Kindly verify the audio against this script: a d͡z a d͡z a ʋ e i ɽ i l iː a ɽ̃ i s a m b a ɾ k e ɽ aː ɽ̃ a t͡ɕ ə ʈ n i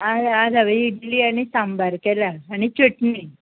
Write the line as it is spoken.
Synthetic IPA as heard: a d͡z a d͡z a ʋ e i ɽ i l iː a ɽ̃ i s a m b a ɾ k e l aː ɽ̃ i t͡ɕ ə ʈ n i